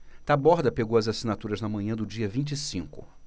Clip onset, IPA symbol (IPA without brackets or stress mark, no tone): t̪